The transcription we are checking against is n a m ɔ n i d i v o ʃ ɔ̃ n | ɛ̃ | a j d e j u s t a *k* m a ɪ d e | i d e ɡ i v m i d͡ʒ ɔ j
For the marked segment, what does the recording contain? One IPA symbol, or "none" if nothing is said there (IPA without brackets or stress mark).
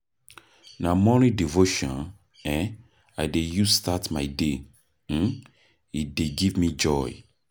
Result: t